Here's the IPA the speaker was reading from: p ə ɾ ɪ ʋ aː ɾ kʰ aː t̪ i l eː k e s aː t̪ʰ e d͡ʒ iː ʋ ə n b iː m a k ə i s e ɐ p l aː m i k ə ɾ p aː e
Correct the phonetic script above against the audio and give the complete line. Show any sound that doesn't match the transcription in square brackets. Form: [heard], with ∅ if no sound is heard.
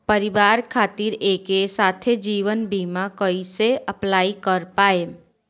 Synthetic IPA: p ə ɾ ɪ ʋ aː ɾ kʰ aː t̪ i [ɾ] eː k e s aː t̪ʰ e d͡ʒ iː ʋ ə n b iː m a k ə i s e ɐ p l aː [∅] i k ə ɾ p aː e